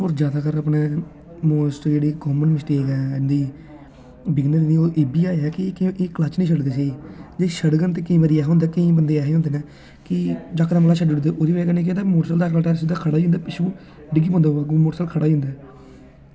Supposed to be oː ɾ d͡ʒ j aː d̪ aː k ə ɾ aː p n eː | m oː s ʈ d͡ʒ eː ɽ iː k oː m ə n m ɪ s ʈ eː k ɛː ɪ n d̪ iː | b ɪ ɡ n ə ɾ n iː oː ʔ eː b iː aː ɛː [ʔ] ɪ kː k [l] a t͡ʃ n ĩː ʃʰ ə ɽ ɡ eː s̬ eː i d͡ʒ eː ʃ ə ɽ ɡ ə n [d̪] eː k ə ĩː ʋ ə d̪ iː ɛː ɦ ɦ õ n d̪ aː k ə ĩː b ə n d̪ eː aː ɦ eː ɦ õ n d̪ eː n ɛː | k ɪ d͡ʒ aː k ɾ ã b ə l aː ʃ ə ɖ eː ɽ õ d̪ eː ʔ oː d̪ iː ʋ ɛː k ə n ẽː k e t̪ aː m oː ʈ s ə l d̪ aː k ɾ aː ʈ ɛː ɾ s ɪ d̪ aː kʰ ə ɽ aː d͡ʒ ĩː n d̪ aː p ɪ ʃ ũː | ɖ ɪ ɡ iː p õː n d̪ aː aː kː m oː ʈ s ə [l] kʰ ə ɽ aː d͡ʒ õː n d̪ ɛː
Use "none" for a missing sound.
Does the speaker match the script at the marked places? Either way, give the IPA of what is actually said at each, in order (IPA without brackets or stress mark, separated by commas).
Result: k, l, t̪, l